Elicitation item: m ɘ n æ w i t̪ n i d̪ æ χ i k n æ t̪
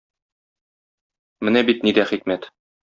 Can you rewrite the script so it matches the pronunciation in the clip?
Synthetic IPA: m ɘ n æ b i t̪ n i d̪ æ χ i k m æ t̪

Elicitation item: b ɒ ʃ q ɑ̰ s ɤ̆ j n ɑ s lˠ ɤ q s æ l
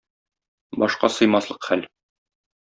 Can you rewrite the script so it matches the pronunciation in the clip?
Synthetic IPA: b ɒ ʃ q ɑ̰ s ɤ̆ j m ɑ s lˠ ɤ q χ æ l

